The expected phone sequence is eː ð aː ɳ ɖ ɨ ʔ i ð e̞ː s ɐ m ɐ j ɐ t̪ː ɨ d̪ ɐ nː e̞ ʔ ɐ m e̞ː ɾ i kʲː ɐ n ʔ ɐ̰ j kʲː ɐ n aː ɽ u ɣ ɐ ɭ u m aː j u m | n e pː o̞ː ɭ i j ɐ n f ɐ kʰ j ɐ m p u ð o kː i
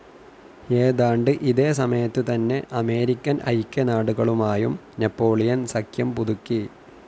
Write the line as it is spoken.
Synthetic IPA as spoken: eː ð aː ɳ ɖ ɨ ʔ i ð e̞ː s ɐ m ɐ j ɐ t̪ː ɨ t̪ ɐ nː e̞ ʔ ɐ m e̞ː ɾ i kʲː ɐ n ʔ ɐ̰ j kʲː ɐ n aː ɽ u ɣ ɐ ɭ u m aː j u m | n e pː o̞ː ɭ i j ɐ n s ɐ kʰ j ɐ m p u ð u kː i